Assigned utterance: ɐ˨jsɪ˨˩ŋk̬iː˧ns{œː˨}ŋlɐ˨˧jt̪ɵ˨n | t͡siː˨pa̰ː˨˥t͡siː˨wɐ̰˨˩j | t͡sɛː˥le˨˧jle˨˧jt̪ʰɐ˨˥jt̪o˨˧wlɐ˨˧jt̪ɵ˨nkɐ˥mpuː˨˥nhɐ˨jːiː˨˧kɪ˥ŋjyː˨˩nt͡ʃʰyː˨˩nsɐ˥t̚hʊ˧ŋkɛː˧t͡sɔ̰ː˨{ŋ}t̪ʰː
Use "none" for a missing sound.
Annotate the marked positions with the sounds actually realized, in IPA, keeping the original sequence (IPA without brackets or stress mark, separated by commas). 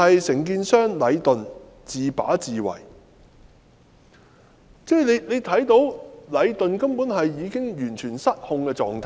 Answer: œː˥, ŋ